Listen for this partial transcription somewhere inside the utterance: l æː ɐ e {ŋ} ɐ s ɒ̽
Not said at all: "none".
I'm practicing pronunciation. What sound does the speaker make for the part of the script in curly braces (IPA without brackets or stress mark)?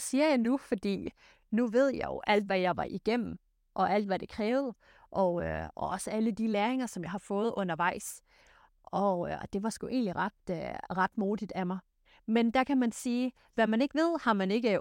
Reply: ŋ